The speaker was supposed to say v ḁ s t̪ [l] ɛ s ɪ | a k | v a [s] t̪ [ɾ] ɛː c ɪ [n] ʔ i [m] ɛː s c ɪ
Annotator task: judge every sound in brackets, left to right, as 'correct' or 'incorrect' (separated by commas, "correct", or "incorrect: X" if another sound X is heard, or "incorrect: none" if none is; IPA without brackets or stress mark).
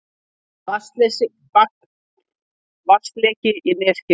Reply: correct, correct, incorrect: l, incorrect: none, incorrect: n